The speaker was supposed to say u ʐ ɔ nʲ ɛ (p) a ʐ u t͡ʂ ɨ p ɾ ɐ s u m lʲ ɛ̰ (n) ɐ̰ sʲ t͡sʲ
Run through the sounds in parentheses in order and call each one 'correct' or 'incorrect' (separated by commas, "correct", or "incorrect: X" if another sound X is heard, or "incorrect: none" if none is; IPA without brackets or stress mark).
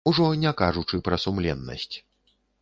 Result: incorrect: k, incorrect: nː